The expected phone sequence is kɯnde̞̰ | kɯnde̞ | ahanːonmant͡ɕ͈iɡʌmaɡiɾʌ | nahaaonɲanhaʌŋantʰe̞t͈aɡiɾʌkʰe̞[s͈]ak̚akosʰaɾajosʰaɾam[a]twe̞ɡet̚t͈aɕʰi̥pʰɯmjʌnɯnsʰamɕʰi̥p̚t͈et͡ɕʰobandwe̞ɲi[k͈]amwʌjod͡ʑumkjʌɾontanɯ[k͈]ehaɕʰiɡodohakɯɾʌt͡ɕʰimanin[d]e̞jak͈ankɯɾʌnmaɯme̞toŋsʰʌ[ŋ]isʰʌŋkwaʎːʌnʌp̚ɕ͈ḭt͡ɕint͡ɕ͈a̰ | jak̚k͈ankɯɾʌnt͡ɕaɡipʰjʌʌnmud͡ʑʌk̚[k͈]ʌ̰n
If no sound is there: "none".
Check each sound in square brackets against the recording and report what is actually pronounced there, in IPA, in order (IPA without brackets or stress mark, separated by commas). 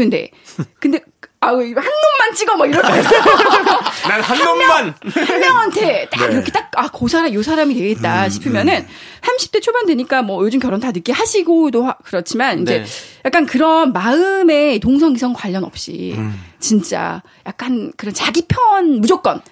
t͈, i, k͈, k͈, d͡ʑ, ŋ, k͈